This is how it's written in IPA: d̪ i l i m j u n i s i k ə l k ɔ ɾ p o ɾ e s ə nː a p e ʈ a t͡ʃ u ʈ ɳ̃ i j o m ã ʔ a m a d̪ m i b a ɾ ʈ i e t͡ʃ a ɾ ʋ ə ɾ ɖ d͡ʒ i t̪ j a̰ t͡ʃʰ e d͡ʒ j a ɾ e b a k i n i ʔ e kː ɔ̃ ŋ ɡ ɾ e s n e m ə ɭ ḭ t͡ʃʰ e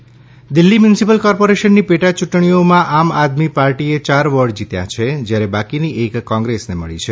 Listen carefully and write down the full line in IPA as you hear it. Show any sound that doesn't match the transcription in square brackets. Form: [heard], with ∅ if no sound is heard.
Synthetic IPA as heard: d̪ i [lː] i m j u n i s i [p] ə l k ɔ ɾ p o ɾ e [ʃ] ə nː [i] p e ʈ a t͡ʃ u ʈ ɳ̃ i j o m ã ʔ a m a d̪ m i [p] a ɾ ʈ i e t͡ʃ a ɾ ʋ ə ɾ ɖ d͡ʒ i t̪ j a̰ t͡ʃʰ e d͡ʒ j a ɾ e b a k i n i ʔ e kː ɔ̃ ŋ ɡ ɾ e s n e m ə ɭ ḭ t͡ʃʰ e